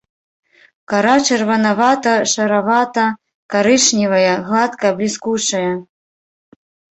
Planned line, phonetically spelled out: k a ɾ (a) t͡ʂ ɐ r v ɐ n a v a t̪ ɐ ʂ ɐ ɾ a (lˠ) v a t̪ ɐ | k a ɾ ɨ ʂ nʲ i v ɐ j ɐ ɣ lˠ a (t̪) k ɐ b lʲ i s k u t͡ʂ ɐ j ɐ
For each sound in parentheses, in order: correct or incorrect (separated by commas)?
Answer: correct, incorrect, correct